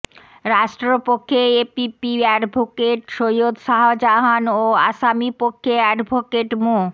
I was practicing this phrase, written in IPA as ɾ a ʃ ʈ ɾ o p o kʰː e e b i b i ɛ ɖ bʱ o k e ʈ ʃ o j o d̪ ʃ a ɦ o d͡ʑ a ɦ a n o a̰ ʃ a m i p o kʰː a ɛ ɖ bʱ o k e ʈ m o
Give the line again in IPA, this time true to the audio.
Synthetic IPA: ɾ a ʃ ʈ ɾ o p o kʰː e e p i p i ɛ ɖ bʱ o k e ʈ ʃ o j o d̪ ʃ a ɦ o d͡ʑ a ɦ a n o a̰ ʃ a m i p o kʰː e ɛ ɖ bʱ o k e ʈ m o